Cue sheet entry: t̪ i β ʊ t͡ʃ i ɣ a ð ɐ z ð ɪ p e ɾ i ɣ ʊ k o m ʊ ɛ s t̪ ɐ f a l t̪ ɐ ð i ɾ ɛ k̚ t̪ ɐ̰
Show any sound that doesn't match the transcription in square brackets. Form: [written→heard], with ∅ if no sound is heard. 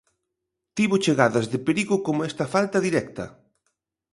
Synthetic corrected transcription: t̪ i β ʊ t͡ʃ [i→e] ɣ a ð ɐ z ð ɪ p e ɾ i ɣ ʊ k o m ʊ ɛ s t̪ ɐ f a l t̪ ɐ ð i ɾ ɛ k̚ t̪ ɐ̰